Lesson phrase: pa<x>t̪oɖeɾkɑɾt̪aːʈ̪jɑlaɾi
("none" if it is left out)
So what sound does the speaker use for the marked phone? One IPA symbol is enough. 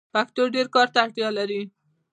k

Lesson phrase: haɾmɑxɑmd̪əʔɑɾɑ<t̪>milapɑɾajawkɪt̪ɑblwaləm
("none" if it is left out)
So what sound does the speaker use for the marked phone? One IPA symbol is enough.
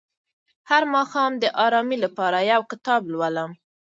none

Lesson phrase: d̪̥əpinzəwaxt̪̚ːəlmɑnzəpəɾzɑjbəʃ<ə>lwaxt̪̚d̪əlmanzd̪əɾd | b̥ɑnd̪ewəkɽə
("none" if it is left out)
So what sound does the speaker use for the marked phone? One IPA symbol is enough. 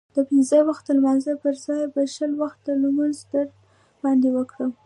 ə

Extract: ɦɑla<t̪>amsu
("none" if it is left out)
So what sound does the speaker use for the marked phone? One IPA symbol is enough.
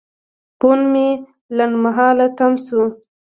t̪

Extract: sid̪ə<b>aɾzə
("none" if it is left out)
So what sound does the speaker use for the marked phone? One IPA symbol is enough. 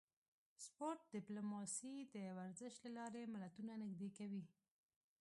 w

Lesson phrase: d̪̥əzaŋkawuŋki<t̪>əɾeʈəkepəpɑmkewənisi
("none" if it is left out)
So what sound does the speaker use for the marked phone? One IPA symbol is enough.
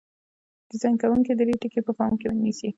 d̪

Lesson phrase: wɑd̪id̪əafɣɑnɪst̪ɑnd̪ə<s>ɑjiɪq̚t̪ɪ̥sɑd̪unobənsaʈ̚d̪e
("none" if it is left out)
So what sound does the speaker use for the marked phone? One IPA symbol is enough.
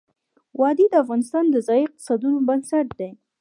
z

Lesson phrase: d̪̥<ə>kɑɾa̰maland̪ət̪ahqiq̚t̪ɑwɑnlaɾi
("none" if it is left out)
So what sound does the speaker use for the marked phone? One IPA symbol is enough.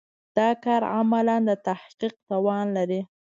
ɑ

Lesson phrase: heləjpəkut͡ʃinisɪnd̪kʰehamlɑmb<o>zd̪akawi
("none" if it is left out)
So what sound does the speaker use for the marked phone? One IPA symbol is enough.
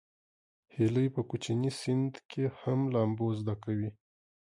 o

